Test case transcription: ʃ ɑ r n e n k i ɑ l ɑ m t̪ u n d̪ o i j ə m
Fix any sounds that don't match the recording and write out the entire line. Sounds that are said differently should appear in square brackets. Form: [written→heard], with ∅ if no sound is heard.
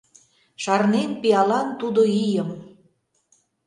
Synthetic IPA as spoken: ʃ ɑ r n e n [k→p] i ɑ l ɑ [m→n] t̪ u [n→∅] d̪ o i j ə m